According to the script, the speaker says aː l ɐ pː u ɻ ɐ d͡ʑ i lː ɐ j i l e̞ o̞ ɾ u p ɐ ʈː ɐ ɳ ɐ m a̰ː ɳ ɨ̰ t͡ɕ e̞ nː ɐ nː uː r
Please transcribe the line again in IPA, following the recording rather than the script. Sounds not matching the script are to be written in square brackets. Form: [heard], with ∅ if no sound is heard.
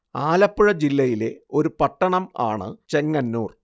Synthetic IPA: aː l ɐ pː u ɻ ɐ d͡ʑ i lː ɐ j i l e̞ o̞ ɾ u p ɐ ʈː ɐ ɳ ɐ m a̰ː ɳ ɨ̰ t͡ɕ e̞ [ŋː] ɐ nː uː r